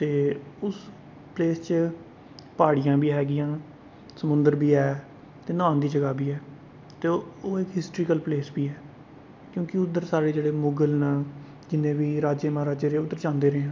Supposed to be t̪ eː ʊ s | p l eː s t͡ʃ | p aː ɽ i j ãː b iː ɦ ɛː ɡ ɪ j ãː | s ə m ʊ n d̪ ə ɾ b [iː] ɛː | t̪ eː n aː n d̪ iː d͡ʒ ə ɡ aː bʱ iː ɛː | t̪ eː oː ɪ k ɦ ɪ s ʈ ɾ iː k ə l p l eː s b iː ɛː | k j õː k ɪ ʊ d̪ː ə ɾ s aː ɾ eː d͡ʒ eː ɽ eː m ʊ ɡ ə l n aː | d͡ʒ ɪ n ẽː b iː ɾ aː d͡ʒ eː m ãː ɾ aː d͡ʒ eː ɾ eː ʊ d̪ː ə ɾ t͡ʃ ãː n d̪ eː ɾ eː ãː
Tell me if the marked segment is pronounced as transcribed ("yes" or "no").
yes